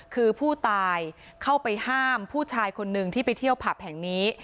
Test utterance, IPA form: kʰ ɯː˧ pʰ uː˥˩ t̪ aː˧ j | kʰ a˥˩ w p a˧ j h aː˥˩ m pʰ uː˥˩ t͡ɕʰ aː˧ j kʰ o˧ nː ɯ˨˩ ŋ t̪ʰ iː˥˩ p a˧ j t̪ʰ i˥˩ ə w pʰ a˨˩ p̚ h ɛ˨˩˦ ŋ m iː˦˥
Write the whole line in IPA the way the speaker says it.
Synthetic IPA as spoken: kʰ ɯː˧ pʰ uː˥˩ t̪ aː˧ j | kʰ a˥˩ w p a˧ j h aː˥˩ m pʰ uː˥˩ t͡ɕʰ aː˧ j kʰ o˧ nː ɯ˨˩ ŋ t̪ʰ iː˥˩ p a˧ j t̪ʰ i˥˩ ə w pʰ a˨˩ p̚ h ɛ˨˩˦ ŋ n iː˦˥